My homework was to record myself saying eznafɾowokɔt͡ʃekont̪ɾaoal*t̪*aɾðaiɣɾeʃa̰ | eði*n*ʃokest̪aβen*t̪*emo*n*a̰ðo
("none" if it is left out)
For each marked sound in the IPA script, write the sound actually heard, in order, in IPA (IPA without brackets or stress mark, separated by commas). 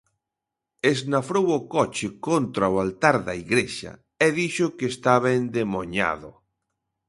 t̪, none, d̪, ɲ